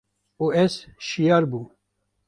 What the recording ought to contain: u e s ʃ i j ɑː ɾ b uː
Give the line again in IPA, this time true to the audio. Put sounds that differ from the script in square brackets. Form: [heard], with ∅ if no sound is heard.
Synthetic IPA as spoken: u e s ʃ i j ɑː ɾ b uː